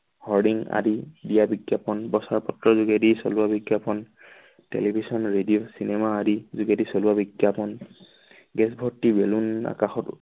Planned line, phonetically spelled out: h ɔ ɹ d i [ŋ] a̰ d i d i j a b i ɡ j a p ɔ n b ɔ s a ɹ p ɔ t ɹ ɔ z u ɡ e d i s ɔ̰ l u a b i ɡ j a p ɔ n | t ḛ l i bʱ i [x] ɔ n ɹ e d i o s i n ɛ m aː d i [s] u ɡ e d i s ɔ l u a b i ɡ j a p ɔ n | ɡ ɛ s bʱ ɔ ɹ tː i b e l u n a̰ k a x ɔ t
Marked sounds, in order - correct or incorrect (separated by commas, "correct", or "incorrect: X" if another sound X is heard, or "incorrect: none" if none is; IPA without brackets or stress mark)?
correct, incorrect: s, incorrect: z